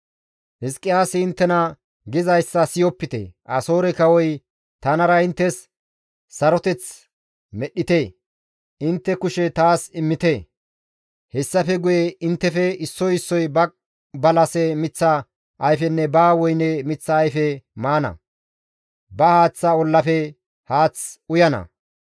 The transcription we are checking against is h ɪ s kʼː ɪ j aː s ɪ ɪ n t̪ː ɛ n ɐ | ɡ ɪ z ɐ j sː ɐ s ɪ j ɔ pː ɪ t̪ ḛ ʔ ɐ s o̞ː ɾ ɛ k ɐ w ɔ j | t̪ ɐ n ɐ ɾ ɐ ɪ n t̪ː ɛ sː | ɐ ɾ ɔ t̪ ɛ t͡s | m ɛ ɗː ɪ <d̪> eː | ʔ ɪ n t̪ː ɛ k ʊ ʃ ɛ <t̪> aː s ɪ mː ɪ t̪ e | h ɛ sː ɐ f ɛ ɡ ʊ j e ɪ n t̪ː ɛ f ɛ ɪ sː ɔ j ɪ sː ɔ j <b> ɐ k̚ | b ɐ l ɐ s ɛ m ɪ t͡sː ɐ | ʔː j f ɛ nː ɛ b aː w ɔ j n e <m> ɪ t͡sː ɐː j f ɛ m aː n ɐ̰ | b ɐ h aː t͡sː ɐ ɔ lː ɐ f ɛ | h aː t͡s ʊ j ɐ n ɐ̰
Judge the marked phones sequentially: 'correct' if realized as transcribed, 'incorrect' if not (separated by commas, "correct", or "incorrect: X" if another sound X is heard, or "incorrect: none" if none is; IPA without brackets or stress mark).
incorrect: t̪, correct, correct, correct